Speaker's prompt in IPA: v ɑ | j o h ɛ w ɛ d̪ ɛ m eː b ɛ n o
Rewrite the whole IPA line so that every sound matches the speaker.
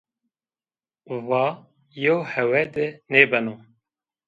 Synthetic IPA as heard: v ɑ | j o h ɛ w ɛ d̪ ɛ n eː b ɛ n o